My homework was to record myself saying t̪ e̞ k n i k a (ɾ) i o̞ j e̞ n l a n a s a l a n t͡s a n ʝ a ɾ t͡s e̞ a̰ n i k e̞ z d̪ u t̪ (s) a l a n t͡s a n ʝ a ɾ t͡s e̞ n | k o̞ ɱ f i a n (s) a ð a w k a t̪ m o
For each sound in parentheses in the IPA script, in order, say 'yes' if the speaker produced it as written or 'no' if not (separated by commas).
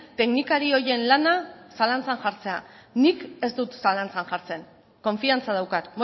yes, yes, no